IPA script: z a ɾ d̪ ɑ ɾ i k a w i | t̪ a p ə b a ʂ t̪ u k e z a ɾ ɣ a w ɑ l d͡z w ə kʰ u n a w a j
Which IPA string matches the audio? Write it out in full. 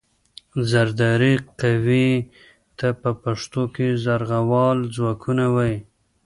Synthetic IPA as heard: z a ɾ d̪ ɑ ɾ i q a w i | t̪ a p ə p a ʂ t̪ o k e z a ɾ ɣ a w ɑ l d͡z w ɑ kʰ u n a w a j